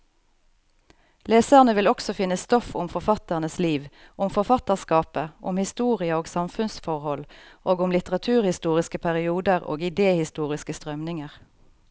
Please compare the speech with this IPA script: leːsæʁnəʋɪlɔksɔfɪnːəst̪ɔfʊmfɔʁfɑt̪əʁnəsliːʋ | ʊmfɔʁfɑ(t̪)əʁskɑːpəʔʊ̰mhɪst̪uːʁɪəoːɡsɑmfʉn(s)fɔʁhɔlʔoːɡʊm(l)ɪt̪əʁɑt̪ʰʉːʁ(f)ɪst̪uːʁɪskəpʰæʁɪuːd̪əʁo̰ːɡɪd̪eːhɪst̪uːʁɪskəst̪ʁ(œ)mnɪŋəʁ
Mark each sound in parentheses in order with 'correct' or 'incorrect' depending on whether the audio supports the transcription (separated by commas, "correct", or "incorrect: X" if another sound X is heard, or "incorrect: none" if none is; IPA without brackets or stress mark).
correct, correct, correct, incorrect: h, correct